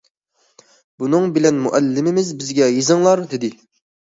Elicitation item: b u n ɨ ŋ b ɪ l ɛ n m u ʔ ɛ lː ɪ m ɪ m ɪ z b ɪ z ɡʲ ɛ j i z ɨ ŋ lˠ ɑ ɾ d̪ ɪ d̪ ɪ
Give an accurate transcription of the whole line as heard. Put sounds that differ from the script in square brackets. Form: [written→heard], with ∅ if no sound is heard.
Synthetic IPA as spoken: b u n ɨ ŋ b ɪ l ɛ n m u ʔ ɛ lː ɪ m ɪ m ɪ z b ɪ z ɡʲ ɛ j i z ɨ ŋ lˠ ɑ ɾ d̪ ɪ d̪ ɪ